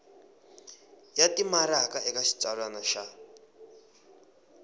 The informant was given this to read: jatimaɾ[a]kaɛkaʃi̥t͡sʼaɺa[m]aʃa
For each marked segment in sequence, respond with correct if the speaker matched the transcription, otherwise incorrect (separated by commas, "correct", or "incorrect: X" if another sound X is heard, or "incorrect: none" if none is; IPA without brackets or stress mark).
correct, incorrect: n